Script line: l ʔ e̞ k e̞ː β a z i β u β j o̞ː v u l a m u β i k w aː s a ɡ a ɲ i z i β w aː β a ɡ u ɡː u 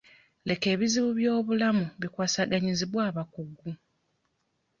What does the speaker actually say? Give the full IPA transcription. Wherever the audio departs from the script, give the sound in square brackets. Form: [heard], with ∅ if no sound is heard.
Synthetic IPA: l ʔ e̞ k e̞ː β [i] z i β u β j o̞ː [β] u l a m u β i k w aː s a ɡ a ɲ i z i β w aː β a [k] u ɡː u